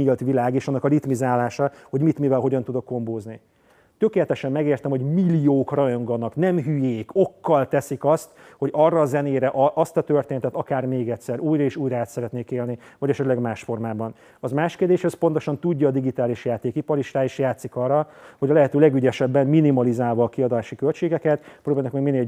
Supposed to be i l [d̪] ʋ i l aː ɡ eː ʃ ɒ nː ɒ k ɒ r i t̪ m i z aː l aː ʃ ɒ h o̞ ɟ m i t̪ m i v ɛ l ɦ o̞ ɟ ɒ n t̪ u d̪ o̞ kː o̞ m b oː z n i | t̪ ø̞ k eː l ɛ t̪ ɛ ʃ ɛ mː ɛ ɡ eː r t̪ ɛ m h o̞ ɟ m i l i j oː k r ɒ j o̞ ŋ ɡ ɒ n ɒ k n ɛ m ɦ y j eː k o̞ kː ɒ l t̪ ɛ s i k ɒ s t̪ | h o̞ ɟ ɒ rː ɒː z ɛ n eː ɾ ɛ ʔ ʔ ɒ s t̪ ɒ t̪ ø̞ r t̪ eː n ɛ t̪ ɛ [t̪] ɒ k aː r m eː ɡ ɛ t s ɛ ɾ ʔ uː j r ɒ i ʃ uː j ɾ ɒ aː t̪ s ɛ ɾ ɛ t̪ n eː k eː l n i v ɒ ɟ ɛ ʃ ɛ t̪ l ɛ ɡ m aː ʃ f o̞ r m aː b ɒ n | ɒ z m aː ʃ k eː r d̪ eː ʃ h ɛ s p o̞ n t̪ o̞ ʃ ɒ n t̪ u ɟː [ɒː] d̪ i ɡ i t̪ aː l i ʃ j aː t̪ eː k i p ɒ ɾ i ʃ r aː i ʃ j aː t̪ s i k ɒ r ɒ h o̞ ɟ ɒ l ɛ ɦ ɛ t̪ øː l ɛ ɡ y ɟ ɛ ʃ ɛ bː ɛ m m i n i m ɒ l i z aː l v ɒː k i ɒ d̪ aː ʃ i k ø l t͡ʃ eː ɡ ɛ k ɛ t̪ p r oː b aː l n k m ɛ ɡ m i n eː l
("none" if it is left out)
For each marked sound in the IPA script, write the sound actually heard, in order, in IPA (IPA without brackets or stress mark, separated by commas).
t̪, t̪, ɒː